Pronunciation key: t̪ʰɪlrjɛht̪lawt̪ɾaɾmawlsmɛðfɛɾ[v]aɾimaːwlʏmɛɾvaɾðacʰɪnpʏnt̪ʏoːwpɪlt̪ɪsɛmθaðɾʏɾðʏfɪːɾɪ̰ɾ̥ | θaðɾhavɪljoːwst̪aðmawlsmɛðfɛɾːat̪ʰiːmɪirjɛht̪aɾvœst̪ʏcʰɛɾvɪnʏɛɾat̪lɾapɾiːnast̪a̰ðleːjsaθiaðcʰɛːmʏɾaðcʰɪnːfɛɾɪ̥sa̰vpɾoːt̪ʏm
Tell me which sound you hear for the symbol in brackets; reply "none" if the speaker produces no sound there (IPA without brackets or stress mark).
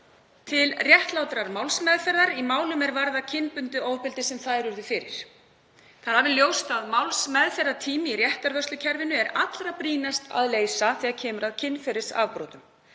ð